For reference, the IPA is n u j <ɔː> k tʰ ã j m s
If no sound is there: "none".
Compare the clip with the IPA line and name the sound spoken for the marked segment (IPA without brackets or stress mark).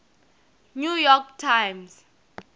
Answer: ɔ